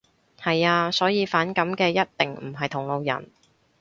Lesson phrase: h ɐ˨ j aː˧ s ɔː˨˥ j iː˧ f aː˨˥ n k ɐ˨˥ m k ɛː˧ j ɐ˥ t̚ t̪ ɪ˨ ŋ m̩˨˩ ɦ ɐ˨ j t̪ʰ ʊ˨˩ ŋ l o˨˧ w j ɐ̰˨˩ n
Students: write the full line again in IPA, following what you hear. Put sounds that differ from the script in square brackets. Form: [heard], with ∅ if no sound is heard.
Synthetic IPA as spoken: h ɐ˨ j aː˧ s ɔː˨˥ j iː˧ f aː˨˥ n k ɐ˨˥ m k ɛː˧ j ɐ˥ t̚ t̪ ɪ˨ ŋ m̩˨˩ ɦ ɐ˨ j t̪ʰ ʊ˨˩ ŋ l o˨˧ w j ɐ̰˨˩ n